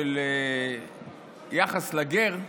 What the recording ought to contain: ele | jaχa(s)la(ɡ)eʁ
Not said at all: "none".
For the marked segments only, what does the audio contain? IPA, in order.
s, ɡ

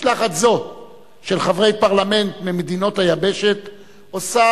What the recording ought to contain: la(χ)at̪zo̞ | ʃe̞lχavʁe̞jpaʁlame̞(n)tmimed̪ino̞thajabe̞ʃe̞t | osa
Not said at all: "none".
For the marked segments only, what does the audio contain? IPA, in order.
χ, n

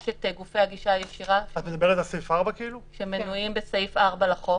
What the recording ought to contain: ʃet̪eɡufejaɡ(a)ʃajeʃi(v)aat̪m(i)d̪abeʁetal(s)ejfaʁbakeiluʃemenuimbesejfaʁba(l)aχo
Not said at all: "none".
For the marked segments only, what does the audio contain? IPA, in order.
i, ʁ, e, s, l

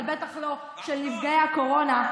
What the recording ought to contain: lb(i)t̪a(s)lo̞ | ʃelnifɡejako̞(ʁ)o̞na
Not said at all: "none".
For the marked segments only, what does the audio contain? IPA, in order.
e, χ, ʁ

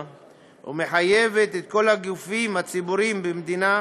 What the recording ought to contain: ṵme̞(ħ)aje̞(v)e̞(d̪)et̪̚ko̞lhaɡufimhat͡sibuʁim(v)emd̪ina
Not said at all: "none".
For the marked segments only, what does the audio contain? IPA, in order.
ħ, v, t̪, b

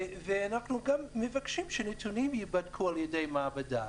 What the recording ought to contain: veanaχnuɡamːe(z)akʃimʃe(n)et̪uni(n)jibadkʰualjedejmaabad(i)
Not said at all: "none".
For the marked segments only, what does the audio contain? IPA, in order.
v, n, m, a

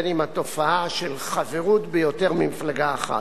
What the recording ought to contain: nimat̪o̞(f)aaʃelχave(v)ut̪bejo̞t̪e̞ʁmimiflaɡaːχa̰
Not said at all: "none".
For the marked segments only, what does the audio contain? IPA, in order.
f, ʁ

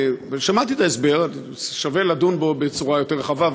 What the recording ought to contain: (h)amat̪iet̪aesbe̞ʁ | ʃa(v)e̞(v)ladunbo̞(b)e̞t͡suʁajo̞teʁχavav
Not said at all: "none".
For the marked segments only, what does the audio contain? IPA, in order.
ʃ, v, none, b

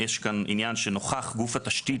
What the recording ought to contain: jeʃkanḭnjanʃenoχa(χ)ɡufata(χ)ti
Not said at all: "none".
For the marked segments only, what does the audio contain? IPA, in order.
χ, ʃ

